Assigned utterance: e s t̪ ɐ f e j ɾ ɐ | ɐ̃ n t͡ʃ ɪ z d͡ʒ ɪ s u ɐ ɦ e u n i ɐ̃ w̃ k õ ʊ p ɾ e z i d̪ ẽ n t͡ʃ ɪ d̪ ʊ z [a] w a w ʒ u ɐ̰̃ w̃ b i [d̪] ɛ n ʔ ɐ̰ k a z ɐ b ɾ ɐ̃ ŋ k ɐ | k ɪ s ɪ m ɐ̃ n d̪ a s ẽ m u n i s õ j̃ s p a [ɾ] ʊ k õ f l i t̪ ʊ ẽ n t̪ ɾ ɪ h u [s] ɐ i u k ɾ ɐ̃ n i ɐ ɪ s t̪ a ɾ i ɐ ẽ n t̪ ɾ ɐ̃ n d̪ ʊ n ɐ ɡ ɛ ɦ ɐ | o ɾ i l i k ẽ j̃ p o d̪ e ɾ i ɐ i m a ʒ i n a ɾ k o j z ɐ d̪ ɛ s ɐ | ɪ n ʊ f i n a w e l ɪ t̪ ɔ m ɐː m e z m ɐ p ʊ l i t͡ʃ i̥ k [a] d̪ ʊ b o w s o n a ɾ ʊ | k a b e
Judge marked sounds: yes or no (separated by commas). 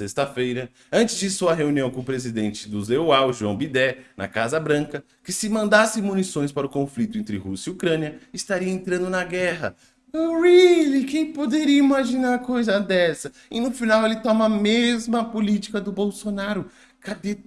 no, yes, yes, yes, no